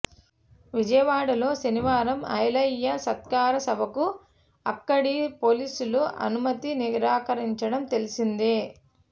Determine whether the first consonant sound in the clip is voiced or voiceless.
voiced